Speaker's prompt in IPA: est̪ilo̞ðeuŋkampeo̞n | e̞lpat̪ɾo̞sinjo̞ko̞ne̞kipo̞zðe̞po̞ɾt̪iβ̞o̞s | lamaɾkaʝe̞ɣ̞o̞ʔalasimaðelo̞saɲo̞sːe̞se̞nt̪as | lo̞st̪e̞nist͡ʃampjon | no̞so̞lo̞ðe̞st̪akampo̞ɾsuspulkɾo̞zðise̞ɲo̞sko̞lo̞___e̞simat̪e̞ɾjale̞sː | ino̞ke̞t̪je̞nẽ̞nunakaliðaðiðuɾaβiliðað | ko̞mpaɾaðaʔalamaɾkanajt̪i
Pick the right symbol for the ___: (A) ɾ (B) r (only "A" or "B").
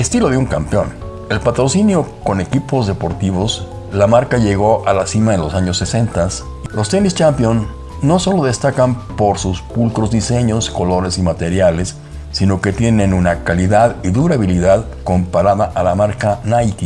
A